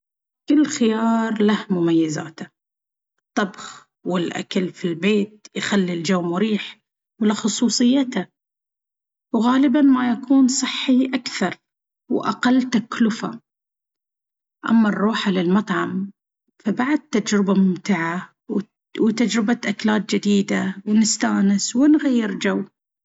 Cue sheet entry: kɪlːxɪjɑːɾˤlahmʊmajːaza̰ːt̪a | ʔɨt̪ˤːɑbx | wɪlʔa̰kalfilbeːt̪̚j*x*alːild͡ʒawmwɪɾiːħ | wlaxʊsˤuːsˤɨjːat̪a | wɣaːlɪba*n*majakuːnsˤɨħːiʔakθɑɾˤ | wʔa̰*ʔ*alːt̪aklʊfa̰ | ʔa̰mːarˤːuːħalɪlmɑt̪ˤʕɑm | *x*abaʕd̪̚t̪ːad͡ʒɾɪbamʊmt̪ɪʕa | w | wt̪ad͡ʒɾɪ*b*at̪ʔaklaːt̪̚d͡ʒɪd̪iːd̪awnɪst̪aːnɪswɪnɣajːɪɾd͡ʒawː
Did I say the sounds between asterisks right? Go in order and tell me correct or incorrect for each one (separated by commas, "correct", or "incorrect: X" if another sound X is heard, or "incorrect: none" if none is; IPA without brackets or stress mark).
correct, correct, incorrect: q, incorrect: f, correct